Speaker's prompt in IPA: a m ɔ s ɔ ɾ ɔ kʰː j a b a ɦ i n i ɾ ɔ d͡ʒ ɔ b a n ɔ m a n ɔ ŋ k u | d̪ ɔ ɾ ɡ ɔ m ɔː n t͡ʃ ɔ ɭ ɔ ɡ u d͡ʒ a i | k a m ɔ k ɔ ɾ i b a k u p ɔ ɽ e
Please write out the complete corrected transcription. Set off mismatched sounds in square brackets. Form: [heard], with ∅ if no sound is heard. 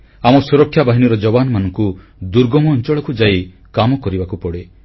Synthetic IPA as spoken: a m ɔ s [u] ɾ ɔ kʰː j a b a ɦ i n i ɾ ɔ d͡ʒ ɔ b a n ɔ m a n ɔ ŋ k u | d̪ [u] ɾ ɡ ɔ m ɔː n t͡ʃ ɔ ɭ ɔ [k] u d͡ʒ a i | k a m ɔ k ɔ ɾ i b a k u p ɔ ɽ e